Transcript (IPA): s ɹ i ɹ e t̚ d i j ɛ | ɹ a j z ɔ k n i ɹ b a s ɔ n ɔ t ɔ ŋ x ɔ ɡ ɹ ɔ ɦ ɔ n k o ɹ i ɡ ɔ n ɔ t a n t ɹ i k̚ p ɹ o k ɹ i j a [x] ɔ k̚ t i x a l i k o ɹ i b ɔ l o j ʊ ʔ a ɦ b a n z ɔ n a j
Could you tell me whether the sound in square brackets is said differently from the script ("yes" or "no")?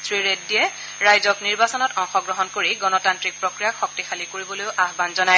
no